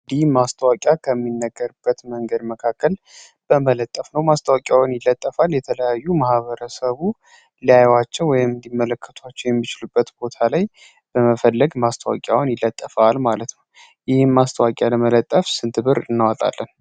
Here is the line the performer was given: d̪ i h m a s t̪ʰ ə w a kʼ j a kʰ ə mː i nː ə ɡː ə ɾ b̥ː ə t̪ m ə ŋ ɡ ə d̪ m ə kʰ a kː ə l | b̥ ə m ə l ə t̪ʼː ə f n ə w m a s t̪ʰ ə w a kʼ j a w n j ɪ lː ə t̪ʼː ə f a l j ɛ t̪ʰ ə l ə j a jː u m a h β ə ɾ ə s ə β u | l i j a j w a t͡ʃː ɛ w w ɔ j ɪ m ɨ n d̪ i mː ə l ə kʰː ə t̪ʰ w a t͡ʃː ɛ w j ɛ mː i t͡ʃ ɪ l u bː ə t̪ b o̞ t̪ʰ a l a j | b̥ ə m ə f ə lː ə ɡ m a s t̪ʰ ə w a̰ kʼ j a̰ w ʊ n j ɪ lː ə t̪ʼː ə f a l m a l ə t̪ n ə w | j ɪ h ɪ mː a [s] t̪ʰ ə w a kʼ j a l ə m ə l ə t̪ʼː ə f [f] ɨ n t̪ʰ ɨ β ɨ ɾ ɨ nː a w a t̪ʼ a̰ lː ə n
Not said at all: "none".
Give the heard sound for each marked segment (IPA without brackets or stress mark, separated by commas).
s, s